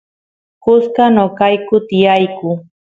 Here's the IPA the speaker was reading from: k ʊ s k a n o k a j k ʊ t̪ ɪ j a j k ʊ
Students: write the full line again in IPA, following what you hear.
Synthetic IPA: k ʊ s k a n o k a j k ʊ t̪ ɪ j a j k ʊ